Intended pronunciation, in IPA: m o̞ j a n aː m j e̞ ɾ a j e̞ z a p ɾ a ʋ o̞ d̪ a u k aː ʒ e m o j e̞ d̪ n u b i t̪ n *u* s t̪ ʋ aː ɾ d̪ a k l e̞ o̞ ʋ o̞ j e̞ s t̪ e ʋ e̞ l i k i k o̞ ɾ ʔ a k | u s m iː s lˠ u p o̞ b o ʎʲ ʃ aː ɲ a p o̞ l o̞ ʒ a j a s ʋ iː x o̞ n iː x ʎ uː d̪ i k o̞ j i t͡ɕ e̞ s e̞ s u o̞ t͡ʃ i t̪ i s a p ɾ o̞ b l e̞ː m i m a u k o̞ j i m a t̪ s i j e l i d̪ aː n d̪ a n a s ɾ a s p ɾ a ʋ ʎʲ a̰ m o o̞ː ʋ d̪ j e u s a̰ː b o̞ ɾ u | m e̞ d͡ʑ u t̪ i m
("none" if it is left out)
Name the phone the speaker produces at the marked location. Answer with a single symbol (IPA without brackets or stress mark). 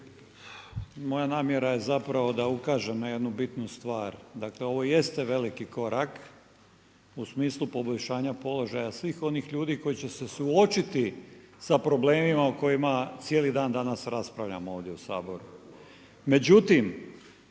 u